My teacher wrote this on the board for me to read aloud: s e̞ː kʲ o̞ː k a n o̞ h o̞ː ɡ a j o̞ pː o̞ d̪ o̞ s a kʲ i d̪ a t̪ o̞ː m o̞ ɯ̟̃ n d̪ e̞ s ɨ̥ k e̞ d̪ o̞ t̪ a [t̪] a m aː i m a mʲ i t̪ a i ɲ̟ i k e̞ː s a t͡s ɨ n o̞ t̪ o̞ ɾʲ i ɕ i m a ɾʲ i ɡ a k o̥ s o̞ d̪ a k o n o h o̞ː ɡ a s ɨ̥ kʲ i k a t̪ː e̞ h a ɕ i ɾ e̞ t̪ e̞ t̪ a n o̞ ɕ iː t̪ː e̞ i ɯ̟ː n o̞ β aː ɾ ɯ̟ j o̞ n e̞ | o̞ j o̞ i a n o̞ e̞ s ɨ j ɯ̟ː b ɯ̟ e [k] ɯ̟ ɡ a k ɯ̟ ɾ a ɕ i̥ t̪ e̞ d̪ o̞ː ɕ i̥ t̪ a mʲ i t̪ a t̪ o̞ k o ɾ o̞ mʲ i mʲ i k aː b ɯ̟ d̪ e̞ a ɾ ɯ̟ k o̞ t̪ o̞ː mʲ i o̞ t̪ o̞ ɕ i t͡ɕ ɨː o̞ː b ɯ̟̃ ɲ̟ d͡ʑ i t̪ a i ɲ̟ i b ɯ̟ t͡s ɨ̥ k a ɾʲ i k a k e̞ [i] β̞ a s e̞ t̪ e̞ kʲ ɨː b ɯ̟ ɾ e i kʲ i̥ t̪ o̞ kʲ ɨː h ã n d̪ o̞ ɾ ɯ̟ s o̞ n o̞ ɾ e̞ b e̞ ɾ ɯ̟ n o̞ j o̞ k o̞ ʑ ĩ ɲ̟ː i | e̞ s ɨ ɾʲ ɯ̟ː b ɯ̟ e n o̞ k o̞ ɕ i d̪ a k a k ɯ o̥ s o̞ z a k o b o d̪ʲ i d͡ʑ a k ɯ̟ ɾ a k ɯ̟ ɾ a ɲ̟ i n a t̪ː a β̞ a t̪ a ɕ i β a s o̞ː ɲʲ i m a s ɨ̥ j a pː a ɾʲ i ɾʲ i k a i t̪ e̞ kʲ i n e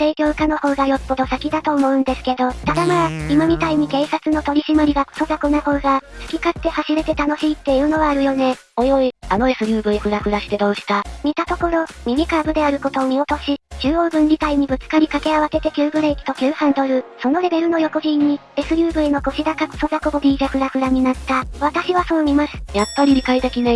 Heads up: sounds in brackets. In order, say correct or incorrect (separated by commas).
incorrect, correct, incorrect